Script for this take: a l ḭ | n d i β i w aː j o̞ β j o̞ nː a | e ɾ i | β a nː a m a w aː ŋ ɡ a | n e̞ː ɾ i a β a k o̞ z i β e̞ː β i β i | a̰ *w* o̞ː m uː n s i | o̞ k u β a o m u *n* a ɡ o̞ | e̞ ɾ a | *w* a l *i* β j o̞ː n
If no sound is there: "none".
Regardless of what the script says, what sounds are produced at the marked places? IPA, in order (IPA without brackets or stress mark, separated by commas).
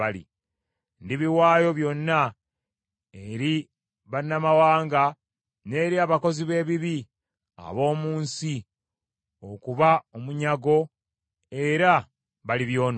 β, ɲ, β, i